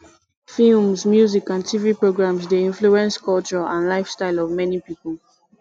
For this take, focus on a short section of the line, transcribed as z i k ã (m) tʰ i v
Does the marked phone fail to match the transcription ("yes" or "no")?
yes